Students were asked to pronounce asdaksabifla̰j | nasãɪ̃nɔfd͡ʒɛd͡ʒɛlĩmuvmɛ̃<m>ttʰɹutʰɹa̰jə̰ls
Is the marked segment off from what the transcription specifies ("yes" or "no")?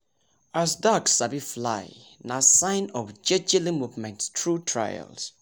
yes